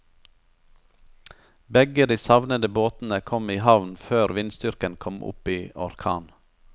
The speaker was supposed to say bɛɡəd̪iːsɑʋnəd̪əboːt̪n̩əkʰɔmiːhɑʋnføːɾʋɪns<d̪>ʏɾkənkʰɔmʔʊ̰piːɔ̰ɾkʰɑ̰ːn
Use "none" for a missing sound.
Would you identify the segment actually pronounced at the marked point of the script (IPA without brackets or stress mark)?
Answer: t̪